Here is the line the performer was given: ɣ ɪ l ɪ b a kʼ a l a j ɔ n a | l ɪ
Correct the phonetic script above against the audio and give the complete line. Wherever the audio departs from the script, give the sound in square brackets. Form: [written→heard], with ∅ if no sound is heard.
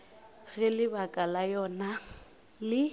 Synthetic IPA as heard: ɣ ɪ l ɪ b a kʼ a l a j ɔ n a | l ɪ